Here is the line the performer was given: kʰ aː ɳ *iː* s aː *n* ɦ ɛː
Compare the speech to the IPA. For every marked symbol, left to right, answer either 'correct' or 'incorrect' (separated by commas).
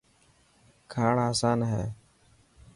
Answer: incorrect, correct